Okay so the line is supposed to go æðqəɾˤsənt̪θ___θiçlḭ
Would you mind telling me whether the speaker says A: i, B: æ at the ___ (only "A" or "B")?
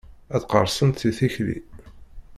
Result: A